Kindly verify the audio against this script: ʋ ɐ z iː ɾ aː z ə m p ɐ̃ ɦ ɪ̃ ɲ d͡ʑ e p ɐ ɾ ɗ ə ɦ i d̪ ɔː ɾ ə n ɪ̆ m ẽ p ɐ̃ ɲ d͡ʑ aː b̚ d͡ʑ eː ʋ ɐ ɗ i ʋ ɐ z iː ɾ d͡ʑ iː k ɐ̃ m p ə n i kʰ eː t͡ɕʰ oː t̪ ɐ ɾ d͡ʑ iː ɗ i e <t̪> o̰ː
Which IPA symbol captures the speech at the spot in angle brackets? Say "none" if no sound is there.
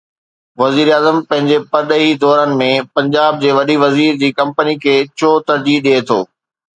t̪ʰ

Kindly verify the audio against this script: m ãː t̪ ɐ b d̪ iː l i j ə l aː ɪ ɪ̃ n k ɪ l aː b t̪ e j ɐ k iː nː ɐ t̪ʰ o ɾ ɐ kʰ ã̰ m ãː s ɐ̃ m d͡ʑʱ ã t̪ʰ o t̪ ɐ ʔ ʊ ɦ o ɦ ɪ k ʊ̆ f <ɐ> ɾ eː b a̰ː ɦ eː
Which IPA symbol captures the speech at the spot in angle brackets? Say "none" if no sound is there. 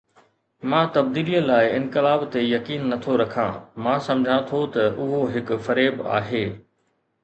ɐ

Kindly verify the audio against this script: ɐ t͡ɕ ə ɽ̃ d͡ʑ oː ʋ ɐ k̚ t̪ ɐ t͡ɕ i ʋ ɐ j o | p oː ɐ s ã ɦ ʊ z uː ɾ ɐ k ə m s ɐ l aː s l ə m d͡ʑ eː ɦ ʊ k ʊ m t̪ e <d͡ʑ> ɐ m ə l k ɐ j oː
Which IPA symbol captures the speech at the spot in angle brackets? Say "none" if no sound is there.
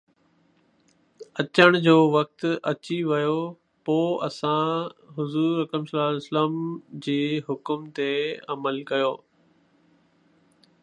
none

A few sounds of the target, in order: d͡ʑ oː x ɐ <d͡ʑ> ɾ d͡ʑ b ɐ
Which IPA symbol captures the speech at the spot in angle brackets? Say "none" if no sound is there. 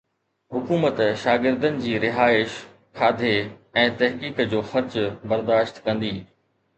none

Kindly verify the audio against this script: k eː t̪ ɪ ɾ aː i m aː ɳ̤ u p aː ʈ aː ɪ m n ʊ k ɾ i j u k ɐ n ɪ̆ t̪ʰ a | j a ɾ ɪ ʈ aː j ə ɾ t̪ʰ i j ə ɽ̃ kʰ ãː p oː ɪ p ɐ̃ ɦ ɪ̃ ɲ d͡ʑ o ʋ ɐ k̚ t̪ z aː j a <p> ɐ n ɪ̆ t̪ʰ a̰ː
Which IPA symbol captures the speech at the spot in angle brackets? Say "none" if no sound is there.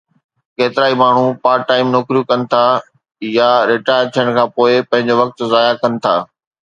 k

